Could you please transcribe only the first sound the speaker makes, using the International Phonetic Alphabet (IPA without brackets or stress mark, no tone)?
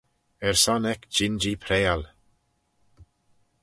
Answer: ɛ